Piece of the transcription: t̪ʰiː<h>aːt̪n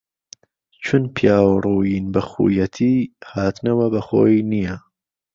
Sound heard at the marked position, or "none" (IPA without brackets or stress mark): h